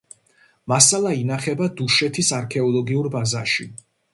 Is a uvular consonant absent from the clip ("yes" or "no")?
no